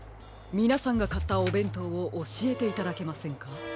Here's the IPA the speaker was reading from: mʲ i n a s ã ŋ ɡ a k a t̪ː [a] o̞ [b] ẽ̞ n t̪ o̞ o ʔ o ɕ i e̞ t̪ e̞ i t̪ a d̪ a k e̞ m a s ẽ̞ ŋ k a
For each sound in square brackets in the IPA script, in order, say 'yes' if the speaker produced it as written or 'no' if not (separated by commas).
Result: yes, yes